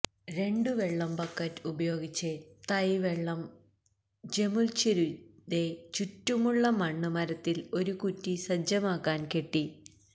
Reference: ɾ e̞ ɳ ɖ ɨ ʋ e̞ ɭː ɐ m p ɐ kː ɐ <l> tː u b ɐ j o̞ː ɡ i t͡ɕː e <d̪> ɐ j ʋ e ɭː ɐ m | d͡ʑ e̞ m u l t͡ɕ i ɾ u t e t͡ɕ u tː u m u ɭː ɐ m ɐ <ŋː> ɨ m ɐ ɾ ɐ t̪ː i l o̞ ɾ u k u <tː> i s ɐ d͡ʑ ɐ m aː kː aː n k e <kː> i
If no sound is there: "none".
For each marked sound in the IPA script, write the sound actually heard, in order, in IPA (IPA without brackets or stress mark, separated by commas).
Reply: none, t̪, ɳː, tː, ʈː